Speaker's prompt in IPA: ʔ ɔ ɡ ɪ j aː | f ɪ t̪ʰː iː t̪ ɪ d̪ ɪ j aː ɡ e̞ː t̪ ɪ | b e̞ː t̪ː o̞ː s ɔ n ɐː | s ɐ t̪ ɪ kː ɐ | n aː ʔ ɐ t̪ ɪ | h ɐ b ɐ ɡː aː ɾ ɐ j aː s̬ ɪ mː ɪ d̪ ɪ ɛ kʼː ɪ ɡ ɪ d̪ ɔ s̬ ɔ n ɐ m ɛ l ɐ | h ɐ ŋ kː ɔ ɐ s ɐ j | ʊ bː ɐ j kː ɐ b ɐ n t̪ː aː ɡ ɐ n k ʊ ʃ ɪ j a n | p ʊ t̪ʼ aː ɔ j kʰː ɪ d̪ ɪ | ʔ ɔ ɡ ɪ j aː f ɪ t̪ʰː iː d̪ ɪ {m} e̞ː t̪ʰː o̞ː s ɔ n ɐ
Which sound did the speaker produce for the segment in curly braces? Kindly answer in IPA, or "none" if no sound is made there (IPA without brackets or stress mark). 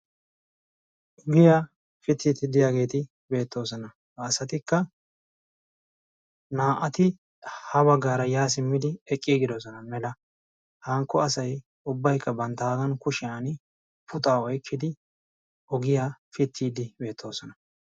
b